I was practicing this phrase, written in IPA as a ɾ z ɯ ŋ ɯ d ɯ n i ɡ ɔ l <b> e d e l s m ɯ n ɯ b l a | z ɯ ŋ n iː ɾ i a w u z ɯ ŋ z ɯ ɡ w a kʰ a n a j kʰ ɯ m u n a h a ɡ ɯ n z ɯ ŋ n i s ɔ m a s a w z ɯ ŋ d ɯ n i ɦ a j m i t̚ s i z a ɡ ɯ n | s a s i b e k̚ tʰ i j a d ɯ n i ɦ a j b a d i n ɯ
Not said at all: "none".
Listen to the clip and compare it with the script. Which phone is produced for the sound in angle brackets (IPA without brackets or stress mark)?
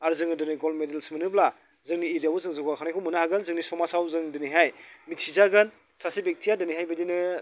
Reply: m